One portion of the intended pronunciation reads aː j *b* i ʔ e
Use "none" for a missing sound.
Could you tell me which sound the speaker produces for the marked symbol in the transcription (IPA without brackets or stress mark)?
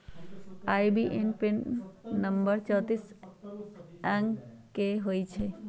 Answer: b